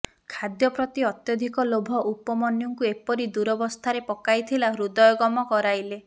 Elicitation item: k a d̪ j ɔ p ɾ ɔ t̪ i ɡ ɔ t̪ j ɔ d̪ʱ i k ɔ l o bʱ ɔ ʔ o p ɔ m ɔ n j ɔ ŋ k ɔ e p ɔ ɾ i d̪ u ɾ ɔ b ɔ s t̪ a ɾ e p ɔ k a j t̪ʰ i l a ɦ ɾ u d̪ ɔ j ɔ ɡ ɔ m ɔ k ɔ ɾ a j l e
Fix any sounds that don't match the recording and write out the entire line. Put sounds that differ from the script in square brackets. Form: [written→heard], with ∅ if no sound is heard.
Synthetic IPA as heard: [k→kʰ] a d̪ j ɔ p ɾ ɔ t̪ i [ɡ→∅] ɔ t̪ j ɔ d̪ʱ i k ɔ l o bʱ ɔ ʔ [o→u] p ɔ m ɔ n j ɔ ŋ k [ɔ→u] e p ɔ ɾ i d̪ u ɾ ɔ b ɔ s [t̪→t̪ʰ] a ɾ e p ɔ k a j t̪ʰ i l a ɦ ɾ u d̪ ɔ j ɔ ɡ ɔ m ɔ k ɔ ɾ a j l e